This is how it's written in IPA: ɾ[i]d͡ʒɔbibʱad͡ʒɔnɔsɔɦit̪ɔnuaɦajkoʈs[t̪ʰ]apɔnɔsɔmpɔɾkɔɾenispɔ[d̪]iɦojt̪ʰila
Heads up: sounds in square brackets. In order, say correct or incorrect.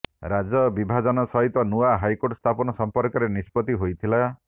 incorrect: a, correct, incorrect: t̪

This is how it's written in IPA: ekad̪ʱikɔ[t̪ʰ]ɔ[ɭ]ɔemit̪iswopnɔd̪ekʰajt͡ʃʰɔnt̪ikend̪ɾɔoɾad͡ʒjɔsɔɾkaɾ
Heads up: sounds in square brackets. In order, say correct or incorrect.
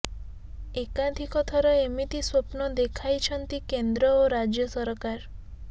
correct, incorrect: ɾ

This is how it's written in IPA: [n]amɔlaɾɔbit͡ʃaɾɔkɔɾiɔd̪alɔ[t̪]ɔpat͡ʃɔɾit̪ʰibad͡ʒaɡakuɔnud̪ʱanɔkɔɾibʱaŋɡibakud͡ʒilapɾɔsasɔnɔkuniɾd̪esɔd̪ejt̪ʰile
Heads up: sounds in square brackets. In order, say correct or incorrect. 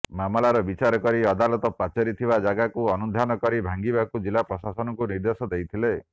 incorrect: m, correct

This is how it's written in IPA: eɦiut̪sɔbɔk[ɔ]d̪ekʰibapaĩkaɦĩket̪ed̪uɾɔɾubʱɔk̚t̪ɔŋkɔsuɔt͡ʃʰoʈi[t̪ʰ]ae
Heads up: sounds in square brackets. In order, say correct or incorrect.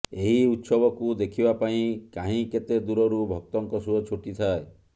incorrect: u, correct

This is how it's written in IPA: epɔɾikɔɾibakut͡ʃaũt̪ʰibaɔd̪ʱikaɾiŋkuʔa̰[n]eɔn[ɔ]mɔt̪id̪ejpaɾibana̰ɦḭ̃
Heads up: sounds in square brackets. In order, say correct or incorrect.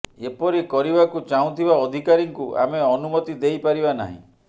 incorrect: m, incorrect: u

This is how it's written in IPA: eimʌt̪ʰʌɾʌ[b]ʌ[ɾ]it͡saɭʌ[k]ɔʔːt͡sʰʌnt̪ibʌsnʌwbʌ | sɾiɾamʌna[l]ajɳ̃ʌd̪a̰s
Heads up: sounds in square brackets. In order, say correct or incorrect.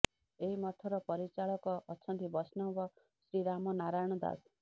incorrect: p, correct, correct, incorrect: ɾ

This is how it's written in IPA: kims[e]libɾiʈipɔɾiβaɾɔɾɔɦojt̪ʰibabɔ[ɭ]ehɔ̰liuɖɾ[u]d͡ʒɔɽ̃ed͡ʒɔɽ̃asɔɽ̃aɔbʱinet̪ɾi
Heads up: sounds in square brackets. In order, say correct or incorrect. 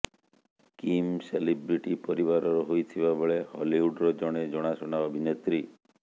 correct, correct, incorrect: ɔ

